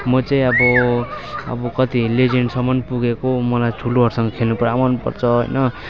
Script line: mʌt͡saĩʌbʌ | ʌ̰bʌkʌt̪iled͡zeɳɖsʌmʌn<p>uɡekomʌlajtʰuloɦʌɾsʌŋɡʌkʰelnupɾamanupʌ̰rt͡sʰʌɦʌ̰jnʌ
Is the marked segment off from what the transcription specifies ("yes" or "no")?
no